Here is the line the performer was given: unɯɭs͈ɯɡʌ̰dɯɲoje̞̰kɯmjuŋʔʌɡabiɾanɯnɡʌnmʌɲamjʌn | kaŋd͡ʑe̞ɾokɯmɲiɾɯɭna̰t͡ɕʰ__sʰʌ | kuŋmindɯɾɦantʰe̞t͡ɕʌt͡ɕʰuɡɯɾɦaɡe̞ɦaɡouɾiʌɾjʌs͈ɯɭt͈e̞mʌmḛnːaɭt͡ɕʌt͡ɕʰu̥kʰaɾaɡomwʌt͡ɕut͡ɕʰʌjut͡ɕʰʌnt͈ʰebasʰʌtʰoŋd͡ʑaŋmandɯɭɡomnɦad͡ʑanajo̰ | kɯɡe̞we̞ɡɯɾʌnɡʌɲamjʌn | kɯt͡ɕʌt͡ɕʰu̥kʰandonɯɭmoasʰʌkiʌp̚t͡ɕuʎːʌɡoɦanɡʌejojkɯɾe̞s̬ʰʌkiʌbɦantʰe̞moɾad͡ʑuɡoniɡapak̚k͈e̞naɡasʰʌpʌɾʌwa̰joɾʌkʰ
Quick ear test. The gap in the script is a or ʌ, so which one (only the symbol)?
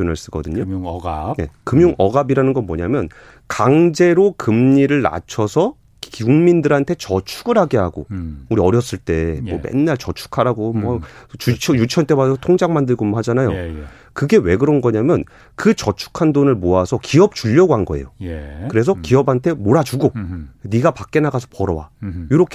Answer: ʌ